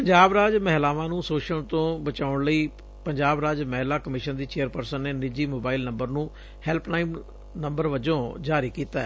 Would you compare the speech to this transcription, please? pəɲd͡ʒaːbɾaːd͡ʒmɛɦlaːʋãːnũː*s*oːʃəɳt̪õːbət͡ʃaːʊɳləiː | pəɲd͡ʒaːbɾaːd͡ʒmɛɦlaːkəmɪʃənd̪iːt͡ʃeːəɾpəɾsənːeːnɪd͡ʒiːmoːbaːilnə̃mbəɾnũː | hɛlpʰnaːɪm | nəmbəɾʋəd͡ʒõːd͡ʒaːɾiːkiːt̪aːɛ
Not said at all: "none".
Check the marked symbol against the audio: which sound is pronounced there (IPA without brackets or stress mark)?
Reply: s